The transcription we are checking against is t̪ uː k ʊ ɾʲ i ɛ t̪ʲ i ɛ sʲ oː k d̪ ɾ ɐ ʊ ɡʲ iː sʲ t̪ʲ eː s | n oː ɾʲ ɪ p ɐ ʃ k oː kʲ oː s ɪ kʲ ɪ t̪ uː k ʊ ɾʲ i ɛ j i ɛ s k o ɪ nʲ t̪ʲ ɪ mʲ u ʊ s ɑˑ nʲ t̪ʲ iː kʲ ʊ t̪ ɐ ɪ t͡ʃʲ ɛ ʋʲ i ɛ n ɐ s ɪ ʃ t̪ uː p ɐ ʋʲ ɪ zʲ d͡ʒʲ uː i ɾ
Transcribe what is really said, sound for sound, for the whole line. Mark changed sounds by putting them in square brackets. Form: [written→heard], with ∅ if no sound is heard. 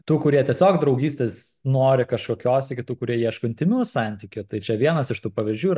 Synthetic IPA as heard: t̪ uː k ʊ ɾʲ i ɛ t̪ʲ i ɛ sʲ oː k d̪ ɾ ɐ ʊ ɡʲ iː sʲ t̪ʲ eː s | n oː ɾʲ ɪ [p→k] ɐ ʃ k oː kʲ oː s ɪ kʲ ɪ t̪ uː k ʊ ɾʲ i ɛ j i ɛ [s→ʃ] k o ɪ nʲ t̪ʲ ɪ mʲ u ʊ s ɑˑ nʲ t̪ʲ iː kʲ ʊ t̪ ɐ ɪ t͡ʃʲ ɛ ʋʲ i ɛ n ɐ s ɪ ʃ t̪ uː p ɐ ʋʲ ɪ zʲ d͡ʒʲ uː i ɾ